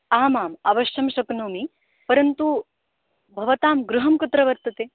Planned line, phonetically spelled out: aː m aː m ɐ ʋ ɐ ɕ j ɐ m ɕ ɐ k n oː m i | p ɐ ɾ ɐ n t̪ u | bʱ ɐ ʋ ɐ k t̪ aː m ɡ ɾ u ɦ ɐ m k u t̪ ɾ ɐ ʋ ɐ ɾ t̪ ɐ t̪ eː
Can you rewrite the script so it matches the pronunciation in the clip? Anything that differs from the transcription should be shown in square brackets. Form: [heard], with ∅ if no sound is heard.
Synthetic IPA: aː m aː m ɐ ʋ ɐ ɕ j ɐ m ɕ ɐ k n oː m i | p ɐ ɾ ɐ n t̪ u | bʱ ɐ ʋ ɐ [∅] t̪ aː m ɡ ɾ u ɦ ɐ m k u t̪ ɾ ɐ ʋ ɐ ɾ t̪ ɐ t̪ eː